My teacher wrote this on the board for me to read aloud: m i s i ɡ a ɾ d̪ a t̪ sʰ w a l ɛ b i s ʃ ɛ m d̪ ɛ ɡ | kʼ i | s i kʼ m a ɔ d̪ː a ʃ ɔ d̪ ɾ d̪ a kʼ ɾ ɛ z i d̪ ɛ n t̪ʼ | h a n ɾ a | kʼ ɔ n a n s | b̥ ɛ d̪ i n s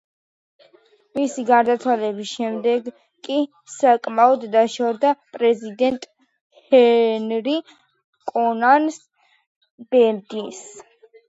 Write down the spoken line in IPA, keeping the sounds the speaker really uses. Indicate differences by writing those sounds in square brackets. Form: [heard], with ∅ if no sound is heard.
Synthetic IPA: m i s i ɡ a ɾ d̪ a t̪ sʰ w a l ɛ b i s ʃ ɛ m d̪ ɛ ɡ | kʼ i | s [a] kʼ m a ɔ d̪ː a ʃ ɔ [∅] ɾ d̪ a [pʼ] ɾ ɛ z i d̪ ɛ n t̪ʼ | h [ɛ] n ɾ [i] | kʼ ɔ n a n s | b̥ ɛ d̪ i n s